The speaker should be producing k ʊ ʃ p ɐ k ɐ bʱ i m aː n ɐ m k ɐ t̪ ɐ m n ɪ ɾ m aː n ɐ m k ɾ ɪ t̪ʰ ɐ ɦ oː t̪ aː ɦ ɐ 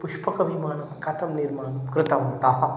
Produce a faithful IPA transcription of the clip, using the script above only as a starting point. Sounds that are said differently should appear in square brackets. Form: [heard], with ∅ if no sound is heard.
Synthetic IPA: [p] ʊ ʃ p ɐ k ɐ bʱ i m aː n ɐ m k ɐ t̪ ɐ m n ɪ ɾ m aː n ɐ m k ɾ ɪ [t̪] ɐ ɦ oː t̪ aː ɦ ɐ